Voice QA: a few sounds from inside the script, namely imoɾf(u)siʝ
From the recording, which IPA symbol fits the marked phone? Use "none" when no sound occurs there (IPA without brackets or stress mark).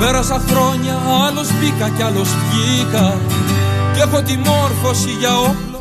o